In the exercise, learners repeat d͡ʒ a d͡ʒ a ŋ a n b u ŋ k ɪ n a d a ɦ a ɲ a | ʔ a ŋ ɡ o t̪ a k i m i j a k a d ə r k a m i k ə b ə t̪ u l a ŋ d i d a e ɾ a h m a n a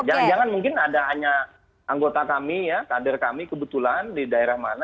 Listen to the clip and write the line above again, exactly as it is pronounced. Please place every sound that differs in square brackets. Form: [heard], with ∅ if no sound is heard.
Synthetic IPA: d͡ʒ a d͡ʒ a ŋ a n [m] u ŋ k ɪ n a d a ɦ a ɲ a | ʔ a ŋ ɡ o t̪ a k [a] m i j a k a d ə r k a m i k ə b ə t̪ u l a [n] d i d a e ɾ a h m a n a